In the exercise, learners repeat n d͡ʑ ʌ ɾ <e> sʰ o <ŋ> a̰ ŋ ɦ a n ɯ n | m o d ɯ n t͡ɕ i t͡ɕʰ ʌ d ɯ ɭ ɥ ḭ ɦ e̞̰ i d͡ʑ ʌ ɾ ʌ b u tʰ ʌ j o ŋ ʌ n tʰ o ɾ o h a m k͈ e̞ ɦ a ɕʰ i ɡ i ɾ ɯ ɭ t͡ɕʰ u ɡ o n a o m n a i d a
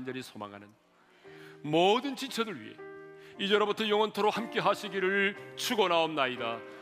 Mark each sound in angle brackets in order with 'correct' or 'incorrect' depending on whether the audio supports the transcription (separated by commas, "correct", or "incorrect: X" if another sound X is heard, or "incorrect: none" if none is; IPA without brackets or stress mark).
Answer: incorrect: i, incorrect: m